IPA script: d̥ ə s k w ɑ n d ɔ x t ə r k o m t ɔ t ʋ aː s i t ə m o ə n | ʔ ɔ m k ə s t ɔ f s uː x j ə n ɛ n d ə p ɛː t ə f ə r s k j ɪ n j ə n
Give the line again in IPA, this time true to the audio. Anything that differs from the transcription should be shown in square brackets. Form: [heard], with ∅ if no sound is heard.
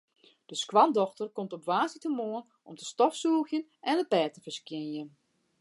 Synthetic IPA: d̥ ə s k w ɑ n d ɔ x t ə r k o m t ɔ [p] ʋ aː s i t ə m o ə n | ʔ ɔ m [t] ə s t ɔ f s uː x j ə n ɛ n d ə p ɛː t ə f ə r s k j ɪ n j ə n